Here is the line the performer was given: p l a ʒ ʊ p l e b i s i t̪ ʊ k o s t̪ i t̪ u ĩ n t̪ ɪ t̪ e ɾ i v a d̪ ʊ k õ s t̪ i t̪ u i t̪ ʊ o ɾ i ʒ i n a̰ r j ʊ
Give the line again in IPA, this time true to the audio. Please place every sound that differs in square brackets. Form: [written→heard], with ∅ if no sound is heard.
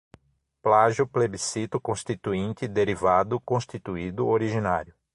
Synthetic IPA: p l a ʒ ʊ p l e b i s i t̪ ʊ k [o→õ] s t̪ i t̪ u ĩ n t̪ ɪ [t̪→d̪] e ɾ i v a d̪ ʊ k õ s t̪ i t̪ u i [t̪→d̪] ʊ o ɾ i ʒ i n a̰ [r→ɾ] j ʊ